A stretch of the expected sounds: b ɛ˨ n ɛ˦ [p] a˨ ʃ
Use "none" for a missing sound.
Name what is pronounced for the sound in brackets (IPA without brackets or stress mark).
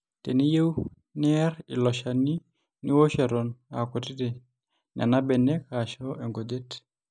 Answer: k